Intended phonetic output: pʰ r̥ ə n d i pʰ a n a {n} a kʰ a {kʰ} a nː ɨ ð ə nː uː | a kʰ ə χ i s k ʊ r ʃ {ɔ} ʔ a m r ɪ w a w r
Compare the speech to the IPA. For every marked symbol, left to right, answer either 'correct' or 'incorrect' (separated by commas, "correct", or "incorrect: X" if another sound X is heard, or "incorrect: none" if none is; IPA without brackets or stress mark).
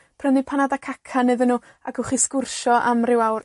incorrect: d, correct, correct